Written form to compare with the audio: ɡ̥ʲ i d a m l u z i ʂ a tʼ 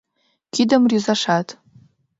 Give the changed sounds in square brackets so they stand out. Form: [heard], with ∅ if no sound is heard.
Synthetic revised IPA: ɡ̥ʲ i d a m [r] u z [a] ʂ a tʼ